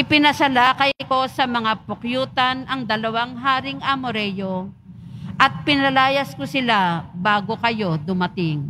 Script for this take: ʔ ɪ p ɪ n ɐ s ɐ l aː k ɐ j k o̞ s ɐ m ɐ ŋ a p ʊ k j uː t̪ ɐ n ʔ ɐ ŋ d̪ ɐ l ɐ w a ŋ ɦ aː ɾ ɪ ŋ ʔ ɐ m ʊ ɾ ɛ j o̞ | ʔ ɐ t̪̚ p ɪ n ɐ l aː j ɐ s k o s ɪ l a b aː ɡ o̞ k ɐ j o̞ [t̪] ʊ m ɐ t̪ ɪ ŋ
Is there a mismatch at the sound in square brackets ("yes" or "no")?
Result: yes